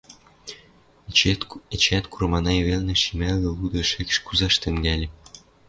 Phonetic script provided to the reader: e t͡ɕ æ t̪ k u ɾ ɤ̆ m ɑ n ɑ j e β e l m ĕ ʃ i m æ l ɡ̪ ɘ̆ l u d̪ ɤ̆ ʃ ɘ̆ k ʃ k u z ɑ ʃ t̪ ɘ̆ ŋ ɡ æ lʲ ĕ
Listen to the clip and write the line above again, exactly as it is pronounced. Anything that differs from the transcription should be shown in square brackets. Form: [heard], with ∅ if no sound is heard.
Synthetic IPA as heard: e t͡ɕ æ t̪ k u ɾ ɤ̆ m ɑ n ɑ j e β e l [n] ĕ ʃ i m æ l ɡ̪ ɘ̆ l u d̪ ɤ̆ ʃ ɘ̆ k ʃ k u z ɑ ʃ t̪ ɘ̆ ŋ ɡ æ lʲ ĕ